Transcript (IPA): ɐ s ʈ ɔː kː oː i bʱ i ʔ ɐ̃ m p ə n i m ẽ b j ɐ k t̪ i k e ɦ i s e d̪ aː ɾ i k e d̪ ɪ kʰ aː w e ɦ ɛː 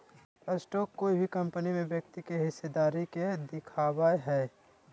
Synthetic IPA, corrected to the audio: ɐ s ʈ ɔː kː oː i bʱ i k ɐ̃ m p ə n i m ẽ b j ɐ k t̪ i k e ɦ ɪ s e d̪ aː ɾ i k e d̪ ɪ kʰ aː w a ɦ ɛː